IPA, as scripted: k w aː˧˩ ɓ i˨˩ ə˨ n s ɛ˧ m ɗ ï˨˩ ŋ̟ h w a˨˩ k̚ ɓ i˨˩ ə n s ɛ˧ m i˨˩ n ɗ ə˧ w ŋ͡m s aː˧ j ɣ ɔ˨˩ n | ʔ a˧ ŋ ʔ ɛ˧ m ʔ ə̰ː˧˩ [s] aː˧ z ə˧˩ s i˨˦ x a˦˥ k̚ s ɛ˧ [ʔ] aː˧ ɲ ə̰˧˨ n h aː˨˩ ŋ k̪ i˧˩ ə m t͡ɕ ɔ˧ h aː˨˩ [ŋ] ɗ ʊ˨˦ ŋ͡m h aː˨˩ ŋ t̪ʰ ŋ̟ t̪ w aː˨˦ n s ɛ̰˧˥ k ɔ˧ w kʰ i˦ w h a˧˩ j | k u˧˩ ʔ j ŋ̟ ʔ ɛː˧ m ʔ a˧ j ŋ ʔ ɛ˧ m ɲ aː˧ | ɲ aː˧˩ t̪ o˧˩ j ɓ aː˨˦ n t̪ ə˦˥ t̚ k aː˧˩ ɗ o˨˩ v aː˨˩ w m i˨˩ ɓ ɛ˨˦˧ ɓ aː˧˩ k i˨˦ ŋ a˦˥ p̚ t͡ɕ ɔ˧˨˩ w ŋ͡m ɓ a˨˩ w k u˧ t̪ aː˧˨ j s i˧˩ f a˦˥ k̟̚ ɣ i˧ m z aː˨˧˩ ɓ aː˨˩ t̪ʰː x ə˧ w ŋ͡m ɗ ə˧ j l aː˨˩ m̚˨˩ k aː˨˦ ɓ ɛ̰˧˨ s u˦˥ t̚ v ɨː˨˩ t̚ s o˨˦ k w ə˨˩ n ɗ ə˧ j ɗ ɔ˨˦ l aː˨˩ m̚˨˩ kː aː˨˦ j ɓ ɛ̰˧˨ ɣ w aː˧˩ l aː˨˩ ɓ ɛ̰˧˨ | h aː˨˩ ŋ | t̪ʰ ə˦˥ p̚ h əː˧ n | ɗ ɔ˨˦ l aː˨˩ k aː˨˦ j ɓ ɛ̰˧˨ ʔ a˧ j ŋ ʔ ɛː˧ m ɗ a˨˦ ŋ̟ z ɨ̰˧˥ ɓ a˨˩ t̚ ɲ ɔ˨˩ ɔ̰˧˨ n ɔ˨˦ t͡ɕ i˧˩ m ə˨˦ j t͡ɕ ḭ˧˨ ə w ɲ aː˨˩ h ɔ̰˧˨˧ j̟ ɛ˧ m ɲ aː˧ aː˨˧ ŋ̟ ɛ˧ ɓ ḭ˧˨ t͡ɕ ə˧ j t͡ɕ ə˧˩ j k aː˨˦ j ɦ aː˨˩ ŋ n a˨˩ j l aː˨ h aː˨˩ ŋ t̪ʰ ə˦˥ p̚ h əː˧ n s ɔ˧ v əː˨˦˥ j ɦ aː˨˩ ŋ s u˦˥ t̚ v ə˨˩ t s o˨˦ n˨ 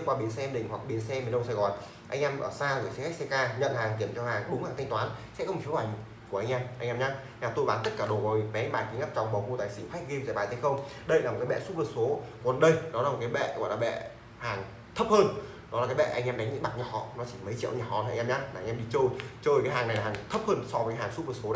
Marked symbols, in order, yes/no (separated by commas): yes, no, yes